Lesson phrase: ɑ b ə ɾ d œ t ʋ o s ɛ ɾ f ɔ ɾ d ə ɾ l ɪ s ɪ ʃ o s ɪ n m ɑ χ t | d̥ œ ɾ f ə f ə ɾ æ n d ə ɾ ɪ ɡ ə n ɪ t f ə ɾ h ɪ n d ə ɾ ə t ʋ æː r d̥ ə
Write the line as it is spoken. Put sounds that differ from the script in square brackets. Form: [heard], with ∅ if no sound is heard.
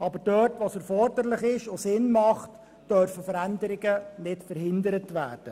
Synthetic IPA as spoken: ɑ b ə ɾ d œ t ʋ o s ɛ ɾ f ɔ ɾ d ə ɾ l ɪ [χ] ɪ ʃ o s ɪ n m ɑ χ t | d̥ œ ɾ f ə f ə ɾ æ n d ə ɾ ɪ ɡ ə n ɪ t f ə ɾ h ɪ n d ə ɾ ə t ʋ æː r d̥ ə